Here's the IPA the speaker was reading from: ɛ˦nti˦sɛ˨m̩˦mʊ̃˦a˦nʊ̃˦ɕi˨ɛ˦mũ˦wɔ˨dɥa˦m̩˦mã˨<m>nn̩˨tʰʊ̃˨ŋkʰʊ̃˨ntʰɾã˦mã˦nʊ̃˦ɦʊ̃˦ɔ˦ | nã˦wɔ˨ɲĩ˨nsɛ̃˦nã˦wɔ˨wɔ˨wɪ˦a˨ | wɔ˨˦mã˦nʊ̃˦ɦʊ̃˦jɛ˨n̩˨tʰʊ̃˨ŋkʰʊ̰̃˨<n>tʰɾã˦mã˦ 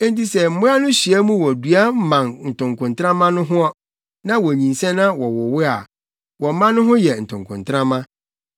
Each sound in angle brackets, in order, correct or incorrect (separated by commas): incorrect, correct